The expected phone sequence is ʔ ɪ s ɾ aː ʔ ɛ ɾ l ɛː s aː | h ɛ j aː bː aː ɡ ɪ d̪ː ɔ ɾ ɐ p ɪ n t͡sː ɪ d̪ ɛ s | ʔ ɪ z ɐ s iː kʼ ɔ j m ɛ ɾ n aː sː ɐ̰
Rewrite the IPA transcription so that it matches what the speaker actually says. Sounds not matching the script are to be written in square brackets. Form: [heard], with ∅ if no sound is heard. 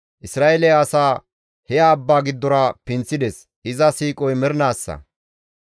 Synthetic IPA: ʔ ɪ s ɾ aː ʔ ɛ [∅] l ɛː s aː | h ɛ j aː bː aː ɡ ɪ d̪ː ɔ ɾ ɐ p ɪ n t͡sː ɪ d̪ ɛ s | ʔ ɪ z ɐ s iː kʼ ɔ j m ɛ ɾ n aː sː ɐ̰